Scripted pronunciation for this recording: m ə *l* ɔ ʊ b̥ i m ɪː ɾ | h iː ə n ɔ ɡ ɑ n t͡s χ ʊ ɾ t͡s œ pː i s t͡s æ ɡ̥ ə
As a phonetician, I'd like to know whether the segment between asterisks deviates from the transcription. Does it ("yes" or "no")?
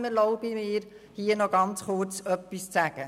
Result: no